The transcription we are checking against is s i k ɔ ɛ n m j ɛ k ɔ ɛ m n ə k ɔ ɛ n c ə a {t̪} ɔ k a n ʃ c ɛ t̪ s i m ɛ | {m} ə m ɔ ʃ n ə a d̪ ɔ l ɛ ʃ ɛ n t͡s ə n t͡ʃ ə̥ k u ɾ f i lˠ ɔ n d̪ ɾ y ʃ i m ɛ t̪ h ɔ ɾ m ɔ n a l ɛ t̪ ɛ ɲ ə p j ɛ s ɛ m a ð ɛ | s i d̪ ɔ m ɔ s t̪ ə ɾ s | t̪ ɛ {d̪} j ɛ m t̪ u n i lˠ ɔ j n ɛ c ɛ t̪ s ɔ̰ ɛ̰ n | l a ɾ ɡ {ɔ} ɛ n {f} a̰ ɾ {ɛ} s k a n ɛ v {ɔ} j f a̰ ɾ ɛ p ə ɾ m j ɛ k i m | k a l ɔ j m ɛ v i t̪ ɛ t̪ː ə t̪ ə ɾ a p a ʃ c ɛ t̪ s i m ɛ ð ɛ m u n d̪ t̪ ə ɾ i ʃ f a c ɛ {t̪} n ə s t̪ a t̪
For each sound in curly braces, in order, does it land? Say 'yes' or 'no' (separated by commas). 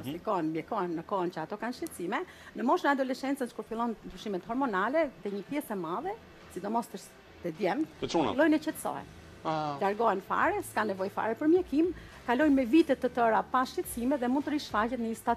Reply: yes, no, yes, yes, yes, yes, yes, yes